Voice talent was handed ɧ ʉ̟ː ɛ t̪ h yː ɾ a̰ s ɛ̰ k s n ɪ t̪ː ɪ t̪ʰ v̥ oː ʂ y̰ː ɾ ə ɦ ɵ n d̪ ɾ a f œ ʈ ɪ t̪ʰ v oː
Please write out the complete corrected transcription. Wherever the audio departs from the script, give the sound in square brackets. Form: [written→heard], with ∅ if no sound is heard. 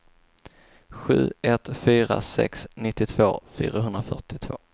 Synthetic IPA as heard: ɧ ʉ̟ː ɛ t̪ [h→f] yː ɾ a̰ s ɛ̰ k s n ɪ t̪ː ɪ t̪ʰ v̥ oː [ʂ→f] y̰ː ɾ [ə→a] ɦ ɵ n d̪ ɾ a f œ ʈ ɪ t̪ʰ v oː